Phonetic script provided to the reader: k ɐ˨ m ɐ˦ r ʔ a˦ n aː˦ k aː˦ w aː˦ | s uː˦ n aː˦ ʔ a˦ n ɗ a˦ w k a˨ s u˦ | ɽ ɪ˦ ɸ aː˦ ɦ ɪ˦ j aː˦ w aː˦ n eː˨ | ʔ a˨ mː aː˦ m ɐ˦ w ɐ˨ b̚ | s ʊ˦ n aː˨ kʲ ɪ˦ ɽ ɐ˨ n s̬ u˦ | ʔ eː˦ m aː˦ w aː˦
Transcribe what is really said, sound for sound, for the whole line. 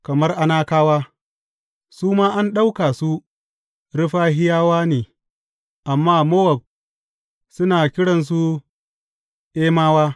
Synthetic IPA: k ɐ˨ m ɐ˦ r ʔ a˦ n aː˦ k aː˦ w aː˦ | s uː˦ m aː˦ ʔ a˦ n ɗ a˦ w k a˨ s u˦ | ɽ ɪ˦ ɸ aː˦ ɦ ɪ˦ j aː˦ w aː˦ n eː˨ | ʔ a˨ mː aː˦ m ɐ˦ w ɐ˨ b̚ | s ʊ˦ n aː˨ kʲ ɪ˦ ɽ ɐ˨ n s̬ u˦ | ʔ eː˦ m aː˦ w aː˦